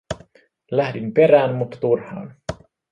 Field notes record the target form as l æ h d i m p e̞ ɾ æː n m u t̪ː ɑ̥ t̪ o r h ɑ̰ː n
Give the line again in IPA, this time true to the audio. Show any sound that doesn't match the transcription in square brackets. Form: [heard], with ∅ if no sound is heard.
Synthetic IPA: l æ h d i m p e̞ ɾ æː n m u t̪ː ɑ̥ t̪ [u] r h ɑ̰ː n